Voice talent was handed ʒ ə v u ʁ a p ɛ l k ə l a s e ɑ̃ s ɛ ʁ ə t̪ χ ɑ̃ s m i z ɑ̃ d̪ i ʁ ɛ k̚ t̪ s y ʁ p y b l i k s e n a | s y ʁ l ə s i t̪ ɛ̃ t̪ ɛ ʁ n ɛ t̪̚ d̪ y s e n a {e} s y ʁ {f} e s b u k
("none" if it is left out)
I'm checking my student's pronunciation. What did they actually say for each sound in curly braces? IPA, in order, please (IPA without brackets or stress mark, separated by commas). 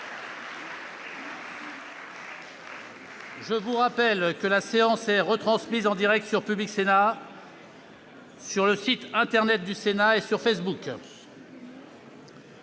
e, f